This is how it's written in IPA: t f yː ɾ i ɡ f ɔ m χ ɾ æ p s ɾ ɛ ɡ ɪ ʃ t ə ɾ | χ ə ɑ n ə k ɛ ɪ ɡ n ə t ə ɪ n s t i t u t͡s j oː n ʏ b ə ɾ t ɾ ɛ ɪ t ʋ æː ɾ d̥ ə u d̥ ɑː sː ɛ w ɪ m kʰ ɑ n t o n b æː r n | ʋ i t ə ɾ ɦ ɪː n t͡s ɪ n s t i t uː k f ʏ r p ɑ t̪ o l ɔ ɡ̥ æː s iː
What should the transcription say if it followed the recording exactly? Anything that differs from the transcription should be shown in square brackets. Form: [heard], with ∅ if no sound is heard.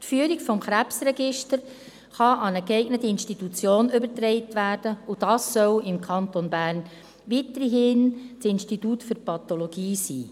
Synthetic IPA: t f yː ɾ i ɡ f ɔ m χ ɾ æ p s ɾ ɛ ɡ ɪ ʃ t ə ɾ | χ [ɑ] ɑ n ə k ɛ ɪ ɡ n ə t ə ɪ n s t i t u t͡s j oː n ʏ b ə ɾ t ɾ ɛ ɪ t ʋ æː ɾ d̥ ə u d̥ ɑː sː [œ] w ɪ m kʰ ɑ n t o n b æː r n | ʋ i t ə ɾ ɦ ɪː n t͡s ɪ n s t i t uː [t] f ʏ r p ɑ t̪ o l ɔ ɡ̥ [iː] s iː